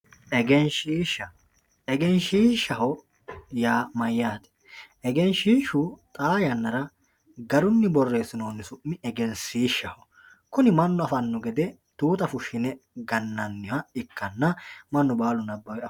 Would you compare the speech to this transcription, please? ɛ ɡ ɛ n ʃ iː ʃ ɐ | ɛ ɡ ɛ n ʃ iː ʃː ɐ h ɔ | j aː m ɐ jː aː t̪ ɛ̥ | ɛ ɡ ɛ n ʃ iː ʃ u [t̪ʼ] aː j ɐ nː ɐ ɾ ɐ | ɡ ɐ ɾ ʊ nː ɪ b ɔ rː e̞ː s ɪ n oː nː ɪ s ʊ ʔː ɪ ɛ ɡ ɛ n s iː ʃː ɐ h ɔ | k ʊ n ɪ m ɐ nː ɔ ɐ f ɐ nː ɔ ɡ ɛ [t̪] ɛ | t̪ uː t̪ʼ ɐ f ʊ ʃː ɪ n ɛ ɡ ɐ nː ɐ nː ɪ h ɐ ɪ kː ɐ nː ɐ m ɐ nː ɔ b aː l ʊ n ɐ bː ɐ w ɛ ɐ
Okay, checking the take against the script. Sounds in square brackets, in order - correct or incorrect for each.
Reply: correct, incorrect: d̪

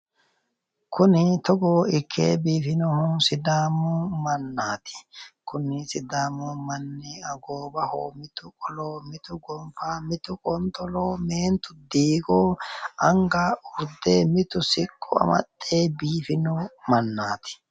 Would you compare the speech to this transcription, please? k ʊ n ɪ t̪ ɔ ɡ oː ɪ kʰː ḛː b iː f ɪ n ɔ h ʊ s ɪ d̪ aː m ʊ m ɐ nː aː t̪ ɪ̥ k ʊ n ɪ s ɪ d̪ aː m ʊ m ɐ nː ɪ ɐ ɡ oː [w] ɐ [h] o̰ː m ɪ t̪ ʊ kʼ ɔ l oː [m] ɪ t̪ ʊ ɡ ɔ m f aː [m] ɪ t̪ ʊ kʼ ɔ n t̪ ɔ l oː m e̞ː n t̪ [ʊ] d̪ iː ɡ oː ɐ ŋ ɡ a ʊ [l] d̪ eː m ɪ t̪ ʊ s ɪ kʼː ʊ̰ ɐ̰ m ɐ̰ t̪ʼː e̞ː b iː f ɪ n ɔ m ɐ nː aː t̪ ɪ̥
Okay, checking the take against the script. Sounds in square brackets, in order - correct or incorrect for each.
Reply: incorrect: b, correct, correct, correct, correct, incorrect: ɾ

